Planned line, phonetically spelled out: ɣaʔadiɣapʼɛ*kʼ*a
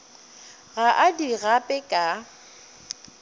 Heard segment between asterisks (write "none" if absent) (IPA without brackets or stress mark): kʼ